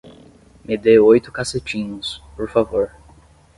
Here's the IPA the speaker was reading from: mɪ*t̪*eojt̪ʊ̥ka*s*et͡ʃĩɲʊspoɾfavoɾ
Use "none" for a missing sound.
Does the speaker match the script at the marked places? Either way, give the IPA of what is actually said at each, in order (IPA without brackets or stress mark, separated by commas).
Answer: d̪, s